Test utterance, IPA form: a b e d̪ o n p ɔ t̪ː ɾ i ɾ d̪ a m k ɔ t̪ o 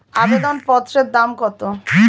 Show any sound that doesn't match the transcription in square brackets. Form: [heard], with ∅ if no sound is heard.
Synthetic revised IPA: a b e d̪ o n p ɔ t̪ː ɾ [e] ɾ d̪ a m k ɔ t̪ o

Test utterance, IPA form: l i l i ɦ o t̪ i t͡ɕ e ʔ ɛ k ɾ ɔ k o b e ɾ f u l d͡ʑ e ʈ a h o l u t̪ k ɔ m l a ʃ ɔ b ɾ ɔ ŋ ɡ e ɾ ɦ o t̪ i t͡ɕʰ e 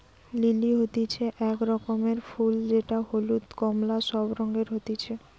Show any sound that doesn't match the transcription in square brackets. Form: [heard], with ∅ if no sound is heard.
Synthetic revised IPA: l i l i ɦ o t̪ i [t͡ɕʰ] e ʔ ɛ k ɾ ɔ k o [m] e ɾ f u l d͡ʑ e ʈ a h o l u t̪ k ɔ m l a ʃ ɔ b ɾ ɔ ŋ ɡ e ɾ ɦ o t̪ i t͡ɕʰ e

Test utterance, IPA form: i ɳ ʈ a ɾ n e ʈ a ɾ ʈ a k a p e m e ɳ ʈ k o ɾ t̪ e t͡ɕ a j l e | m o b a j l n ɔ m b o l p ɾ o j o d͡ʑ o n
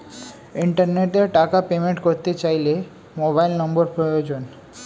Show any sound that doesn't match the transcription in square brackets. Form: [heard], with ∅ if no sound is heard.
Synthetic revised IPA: i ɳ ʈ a ɾ n e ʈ [e] ɾ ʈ a k a p e m e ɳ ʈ k o ɾ t̪ e t͡ɕ a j l e | m o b a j l n ɔ m b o [ɾ] p ɾ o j o d͡ʑ o n

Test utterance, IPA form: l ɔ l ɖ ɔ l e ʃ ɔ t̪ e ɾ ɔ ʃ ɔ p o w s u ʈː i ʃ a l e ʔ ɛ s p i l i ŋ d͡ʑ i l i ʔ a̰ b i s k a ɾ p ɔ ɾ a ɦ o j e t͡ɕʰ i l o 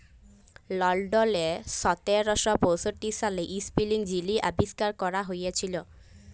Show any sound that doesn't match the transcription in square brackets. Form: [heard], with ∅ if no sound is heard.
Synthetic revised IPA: l ɔ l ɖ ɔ l e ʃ ɔ t̪ e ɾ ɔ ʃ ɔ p o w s [o] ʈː i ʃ a l e ʔ [i] s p i l i ŋ d͡ʑ i l i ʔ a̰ b i s k a ɾ [k] ɔ ɾ a ɦ o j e t͡ɕʰ i l o

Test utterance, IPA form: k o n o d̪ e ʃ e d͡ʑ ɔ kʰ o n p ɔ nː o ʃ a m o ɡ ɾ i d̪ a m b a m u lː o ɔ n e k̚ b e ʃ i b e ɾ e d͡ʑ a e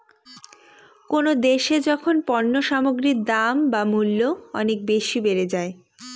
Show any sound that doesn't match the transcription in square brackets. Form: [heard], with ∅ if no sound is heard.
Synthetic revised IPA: k o n o d̪ e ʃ e d͡ʑ ɔ kʰ o n p ɔ nː o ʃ a m o ɡ ɾ i d̪ a m b a m u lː o ɔ n e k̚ b e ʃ i b e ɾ e d͡ʑ a e

